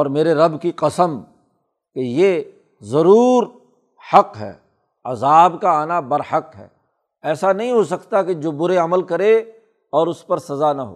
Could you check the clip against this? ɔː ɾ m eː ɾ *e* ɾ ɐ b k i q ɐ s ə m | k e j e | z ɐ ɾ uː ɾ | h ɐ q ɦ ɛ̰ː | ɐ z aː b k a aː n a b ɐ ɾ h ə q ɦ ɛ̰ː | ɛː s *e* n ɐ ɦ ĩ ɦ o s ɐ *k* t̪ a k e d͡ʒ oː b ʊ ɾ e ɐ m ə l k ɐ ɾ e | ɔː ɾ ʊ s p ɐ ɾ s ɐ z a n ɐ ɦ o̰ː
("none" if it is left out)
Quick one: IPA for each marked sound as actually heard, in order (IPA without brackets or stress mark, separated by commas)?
e, a, k